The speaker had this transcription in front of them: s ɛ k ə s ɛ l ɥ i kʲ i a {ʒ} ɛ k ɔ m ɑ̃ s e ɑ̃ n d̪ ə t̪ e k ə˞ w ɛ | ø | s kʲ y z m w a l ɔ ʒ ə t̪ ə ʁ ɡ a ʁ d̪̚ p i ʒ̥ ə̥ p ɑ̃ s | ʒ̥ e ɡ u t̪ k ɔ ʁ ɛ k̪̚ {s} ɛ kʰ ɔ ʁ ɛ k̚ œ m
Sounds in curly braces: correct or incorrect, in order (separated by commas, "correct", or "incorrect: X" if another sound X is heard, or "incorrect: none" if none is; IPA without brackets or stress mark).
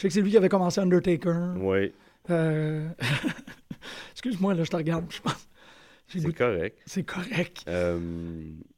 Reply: incorrect: v, correct